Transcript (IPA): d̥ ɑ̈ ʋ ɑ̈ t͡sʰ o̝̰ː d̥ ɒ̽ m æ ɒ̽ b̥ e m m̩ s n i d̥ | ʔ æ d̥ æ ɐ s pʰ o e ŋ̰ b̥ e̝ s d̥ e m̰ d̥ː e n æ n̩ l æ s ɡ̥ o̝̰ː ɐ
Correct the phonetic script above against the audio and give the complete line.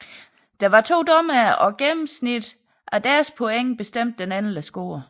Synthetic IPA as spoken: d̥ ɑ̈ ʋ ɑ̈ t͡sʰ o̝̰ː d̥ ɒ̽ m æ ɒ̽ ɡ̥ e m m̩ s n i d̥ | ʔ æ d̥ æ ɐ s pʰ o e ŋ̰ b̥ e̝ s d̥ e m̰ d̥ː e n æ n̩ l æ s ɡ̥ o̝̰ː ɐ